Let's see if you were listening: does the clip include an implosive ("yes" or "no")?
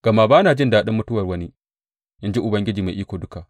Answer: yes